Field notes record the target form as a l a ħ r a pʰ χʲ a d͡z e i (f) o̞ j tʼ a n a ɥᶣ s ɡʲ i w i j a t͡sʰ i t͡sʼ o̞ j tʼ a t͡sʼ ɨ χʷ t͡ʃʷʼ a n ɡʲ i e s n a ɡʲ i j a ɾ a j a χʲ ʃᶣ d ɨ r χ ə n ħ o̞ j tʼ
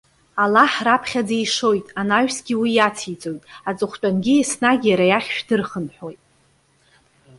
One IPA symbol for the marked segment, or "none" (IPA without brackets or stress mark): ʂ